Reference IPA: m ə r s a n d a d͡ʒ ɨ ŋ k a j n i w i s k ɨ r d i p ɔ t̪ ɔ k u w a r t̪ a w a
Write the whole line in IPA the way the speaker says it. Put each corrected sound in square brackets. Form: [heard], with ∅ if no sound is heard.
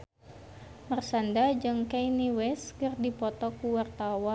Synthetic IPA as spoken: m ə r s a n d a d͡ʒ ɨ ŋ k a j n i w [ɛ] s k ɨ r d i p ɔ t̪ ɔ k u w a r t̪ a w a